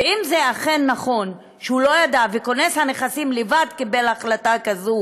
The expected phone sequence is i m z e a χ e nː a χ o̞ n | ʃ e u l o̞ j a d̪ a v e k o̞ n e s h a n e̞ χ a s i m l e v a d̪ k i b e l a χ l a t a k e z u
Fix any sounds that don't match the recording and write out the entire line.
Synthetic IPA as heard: i m z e a χ e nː a χ o̞ n | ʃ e u l o̞ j a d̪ a v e k o̞ n e s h a n e̞ χ a s i m l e v a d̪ k i b e l a χ l a t a k a z u